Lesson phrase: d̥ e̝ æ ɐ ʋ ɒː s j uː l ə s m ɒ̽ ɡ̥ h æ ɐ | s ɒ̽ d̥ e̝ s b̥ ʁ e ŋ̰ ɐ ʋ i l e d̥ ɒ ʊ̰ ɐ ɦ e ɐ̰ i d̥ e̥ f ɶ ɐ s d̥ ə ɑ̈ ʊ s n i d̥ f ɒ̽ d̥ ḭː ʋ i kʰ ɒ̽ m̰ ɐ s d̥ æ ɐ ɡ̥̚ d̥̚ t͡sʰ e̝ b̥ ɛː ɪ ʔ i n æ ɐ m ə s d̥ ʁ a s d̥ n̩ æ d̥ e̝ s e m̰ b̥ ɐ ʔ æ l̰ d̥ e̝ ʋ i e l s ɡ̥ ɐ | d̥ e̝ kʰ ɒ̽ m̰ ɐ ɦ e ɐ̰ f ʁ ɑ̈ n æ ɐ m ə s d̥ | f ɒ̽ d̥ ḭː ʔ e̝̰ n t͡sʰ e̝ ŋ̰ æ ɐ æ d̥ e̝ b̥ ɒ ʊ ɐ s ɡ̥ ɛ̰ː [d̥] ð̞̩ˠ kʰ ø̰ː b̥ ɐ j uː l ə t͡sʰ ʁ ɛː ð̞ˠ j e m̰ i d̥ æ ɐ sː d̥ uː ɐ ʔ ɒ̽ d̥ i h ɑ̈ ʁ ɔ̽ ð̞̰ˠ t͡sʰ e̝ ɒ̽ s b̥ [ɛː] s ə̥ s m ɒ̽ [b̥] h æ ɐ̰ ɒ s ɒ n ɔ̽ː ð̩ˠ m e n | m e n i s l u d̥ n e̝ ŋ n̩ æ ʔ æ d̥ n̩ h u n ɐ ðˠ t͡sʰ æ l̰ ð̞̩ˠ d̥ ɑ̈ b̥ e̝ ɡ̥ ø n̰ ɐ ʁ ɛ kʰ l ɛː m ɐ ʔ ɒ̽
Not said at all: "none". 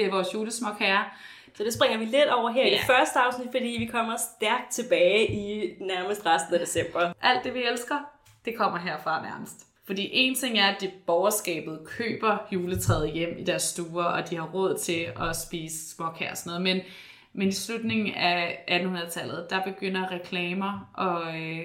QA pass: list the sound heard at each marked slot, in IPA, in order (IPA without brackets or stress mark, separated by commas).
b̥, iː, ɡ̥